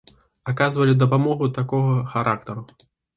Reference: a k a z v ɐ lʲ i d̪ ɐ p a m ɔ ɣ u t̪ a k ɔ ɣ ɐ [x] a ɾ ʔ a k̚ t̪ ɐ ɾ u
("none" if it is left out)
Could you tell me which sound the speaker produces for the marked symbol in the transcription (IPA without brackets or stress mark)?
x